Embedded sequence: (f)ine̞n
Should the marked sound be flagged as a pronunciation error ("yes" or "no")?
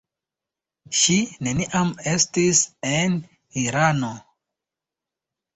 yes